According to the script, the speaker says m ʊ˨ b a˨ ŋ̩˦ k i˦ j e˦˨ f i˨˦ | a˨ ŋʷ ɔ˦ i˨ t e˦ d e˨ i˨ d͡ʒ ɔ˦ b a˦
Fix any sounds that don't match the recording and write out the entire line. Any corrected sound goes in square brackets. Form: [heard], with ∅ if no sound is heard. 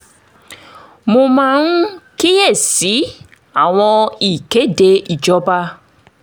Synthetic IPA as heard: m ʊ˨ [m] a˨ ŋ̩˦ k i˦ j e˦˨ [s] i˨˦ | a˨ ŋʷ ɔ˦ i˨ [k] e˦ d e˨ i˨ d͡ʒ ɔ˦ b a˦